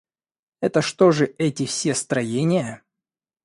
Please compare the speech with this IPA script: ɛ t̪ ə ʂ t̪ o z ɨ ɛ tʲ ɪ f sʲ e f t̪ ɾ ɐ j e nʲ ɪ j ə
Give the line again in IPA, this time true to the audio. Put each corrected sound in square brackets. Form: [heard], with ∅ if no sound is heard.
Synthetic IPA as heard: ɛ t̪ ə ʂ t̪ o [ʐ] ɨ ɛ tʲ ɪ f sʲ e [s] t̪ ɾ ɐ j e nʲ ɪ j ə